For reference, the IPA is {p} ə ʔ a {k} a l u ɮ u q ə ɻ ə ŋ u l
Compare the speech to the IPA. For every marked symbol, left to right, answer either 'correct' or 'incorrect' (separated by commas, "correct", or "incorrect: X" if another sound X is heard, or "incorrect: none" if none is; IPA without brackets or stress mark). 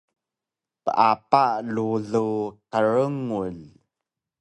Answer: correct, incorrect: p